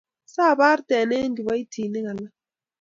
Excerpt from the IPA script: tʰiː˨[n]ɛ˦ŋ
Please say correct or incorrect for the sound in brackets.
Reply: correct